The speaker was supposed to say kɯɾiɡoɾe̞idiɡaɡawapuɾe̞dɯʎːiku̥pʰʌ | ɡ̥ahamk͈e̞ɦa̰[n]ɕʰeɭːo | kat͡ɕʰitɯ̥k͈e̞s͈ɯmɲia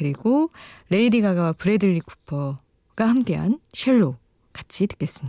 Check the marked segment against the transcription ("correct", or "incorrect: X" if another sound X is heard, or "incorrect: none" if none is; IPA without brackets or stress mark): correct